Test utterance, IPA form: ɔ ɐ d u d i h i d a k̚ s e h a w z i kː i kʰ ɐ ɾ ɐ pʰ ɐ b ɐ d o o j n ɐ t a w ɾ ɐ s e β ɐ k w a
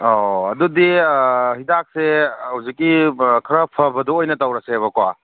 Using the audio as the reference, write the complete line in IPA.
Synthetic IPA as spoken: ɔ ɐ d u d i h i d a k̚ s e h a w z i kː i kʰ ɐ ɾ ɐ pʰ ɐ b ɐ d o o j n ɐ t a w ɾ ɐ s e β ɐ k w a